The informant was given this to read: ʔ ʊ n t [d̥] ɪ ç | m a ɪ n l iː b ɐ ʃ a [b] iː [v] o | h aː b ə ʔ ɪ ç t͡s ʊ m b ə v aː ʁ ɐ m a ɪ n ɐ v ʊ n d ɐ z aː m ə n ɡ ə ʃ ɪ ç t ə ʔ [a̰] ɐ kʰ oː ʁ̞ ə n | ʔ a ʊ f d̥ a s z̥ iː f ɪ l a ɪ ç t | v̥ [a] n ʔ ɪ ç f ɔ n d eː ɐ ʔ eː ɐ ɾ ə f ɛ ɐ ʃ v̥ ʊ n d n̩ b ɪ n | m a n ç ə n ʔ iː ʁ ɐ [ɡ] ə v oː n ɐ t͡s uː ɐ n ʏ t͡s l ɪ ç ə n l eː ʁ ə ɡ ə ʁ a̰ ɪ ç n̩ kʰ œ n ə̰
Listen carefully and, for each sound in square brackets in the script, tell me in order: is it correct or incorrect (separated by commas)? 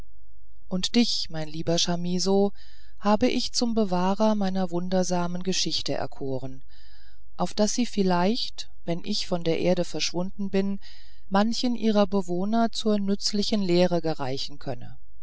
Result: correct, incorrect, incorrect, incorrect, incorrect, incorrect